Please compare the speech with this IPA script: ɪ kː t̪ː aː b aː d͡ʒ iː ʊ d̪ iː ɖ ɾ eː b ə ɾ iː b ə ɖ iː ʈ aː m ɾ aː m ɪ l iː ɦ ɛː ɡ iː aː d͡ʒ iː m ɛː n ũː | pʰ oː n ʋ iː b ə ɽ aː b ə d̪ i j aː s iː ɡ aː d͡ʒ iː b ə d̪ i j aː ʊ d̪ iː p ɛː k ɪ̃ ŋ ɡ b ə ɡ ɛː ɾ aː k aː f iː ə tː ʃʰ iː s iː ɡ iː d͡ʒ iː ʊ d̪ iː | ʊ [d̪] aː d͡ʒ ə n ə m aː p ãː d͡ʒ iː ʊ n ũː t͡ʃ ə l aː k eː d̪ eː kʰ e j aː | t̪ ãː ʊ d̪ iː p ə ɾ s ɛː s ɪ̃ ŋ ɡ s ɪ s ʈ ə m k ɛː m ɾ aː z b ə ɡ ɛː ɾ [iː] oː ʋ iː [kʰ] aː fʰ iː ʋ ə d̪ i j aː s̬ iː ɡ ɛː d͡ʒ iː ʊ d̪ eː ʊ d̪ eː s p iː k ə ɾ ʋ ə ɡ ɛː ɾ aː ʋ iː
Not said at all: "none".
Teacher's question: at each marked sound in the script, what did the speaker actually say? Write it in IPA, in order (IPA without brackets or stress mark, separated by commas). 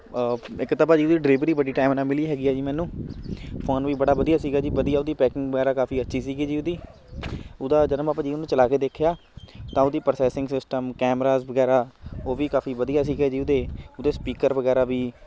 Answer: d̪, aː, k